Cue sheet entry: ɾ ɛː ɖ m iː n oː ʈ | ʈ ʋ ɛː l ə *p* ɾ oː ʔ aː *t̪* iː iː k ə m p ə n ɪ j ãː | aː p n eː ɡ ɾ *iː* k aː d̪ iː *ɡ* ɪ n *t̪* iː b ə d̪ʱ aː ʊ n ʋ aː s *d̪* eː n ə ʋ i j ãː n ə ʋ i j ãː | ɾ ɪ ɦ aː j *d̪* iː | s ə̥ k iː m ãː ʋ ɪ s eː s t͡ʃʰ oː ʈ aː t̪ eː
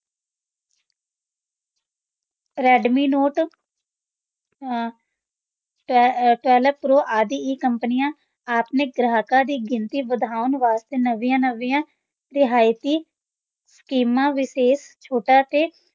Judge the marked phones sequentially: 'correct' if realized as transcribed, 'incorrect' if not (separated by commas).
correct, incorrect, incorrect, correct, correct, incorrect, incorrect